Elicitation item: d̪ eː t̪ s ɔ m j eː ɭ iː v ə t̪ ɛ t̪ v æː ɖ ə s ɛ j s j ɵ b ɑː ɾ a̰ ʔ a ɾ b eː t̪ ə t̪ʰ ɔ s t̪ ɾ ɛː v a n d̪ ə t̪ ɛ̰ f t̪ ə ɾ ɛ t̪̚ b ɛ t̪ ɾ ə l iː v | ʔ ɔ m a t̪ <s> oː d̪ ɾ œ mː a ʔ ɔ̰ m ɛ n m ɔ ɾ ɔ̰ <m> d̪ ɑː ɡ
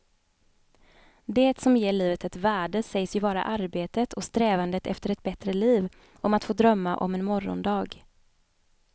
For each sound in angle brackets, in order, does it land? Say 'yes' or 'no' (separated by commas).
no, no